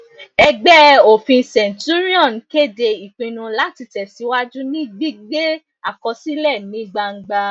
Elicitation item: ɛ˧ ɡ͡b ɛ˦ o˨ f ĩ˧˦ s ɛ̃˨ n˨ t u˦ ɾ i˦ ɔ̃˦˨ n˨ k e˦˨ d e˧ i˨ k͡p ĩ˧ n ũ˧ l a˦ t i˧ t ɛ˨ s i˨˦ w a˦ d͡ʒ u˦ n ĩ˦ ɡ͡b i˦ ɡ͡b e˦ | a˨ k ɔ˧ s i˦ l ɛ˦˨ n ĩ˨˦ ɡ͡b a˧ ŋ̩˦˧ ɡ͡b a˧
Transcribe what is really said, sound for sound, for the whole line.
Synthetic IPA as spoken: ɛ˧ ɡ͡b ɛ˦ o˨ f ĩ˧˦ s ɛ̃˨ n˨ t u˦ ɾ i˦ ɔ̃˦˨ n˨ k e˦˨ d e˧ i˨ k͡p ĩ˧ n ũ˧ l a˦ t i˧ t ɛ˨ s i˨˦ w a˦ d͡ʒ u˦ n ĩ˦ ɡ͡b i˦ ɡ͡b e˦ | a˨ k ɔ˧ s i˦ l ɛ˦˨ n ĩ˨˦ ɡ͡b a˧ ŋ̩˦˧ ɡ͡b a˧